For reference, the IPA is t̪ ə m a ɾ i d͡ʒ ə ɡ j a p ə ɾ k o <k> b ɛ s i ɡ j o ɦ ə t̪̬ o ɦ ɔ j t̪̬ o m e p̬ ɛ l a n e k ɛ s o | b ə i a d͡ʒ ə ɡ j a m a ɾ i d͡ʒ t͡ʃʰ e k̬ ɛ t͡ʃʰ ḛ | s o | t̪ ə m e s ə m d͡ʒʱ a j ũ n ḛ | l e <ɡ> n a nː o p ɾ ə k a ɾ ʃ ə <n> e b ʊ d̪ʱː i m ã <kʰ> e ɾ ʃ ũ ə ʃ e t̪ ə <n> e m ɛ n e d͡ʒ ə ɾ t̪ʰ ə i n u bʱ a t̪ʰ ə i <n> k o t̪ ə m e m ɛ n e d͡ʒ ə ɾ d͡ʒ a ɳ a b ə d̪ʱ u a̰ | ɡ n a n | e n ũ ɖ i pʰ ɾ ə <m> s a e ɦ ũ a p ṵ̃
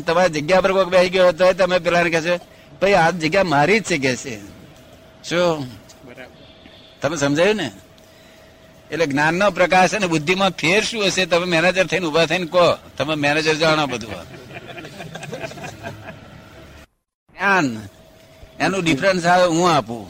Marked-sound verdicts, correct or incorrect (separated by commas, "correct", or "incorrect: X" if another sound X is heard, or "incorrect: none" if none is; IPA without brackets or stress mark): correct, correct, correct, incorrect: pʰ, incorrect: m, correct, incorrect: n